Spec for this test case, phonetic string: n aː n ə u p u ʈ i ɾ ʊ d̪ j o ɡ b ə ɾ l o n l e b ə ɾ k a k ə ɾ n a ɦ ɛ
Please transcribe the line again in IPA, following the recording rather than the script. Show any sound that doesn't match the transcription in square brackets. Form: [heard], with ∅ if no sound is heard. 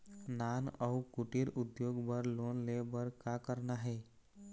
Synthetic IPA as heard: n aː n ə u [k] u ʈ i ɾ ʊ d̪ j o ɡ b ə ɾ l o n l e b ə ɾ k a k ə ɾ n a ɦ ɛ